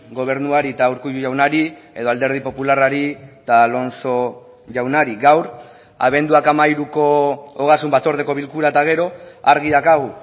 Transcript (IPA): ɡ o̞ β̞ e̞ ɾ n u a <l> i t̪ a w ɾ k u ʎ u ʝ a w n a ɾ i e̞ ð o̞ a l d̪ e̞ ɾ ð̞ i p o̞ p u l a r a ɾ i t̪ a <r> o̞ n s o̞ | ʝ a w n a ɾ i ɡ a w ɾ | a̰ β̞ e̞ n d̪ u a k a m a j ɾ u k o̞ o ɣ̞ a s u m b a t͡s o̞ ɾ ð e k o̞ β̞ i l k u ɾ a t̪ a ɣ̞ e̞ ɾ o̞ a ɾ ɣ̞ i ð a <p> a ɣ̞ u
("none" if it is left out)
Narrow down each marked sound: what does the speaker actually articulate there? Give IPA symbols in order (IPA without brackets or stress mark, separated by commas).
ɾ, l, k